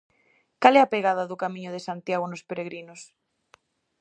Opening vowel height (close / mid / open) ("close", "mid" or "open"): open